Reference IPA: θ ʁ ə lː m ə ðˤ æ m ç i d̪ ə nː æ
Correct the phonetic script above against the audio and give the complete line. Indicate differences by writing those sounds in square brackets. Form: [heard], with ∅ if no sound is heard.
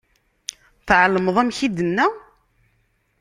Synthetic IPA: θ [ʕ] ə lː m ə ðˤ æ m ç i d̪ ə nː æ